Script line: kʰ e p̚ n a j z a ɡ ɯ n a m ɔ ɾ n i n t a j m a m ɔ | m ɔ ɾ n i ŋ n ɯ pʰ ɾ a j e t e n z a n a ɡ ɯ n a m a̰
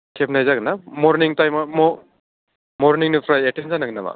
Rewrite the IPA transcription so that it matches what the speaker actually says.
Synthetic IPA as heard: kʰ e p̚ n a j z a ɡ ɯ n a m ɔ ɾ n i ŋ t a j m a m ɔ | m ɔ ɾ n i ŋ n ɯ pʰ ɾ a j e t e n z a n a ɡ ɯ n a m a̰